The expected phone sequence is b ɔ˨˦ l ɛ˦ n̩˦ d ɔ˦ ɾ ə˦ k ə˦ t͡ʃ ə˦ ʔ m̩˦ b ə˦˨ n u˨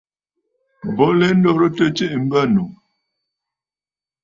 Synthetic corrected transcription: b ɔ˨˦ l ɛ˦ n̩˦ d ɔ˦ ɾ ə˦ t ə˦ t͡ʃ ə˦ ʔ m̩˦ b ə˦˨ n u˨